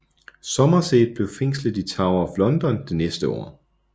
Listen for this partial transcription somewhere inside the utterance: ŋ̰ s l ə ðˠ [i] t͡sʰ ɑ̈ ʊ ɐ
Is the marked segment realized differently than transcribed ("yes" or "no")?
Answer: no